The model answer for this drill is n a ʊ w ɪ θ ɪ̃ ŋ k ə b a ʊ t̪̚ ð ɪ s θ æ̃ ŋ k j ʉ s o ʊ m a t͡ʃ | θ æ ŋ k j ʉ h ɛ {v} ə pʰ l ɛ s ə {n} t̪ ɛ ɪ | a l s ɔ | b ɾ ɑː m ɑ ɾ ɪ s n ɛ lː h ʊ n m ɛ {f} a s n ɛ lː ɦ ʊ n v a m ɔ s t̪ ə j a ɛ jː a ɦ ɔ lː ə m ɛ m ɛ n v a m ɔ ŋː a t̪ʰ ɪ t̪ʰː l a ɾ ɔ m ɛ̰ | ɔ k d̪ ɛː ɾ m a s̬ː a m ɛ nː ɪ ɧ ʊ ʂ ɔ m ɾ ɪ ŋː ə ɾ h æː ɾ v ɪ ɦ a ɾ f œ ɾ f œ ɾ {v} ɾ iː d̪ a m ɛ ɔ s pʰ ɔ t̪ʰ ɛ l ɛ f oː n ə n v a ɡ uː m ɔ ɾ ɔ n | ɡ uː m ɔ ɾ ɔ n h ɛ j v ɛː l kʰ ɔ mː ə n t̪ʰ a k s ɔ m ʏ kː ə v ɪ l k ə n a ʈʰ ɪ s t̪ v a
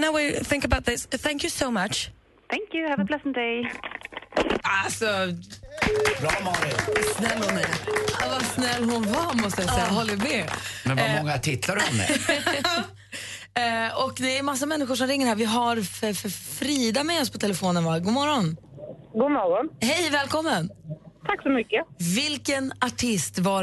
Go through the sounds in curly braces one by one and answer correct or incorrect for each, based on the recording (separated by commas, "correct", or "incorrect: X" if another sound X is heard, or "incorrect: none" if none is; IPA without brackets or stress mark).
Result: correct, correct, incorrect: v, incorrect: f